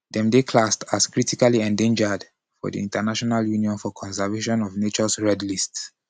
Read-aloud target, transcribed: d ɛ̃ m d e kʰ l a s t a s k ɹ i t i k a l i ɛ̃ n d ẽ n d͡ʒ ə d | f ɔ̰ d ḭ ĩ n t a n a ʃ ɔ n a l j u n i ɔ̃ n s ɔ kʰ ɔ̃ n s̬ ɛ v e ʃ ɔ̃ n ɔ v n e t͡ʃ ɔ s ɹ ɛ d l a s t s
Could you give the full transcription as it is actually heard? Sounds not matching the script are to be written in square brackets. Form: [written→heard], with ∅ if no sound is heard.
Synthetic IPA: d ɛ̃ m d e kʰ l a s t a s k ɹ i t i k a l i ɛ̃ n d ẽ n d͡ʒ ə d | f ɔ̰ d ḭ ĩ n t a n a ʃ ɔ n a l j u n i ɔ̃ n [s→f] ɔ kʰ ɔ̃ n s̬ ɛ v e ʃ ɔ̃ n ɔ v n e t͡ʃ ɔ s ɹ ɛ d l [a→i] s t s